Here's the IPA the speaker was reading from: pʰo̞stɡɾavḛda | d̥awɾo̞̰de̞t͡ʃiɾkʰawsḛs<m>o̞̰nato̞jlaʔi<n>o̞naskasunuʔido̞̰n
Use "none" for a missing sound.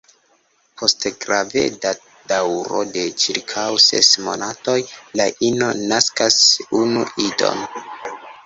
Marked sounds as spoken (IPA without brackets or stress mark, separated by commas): m, n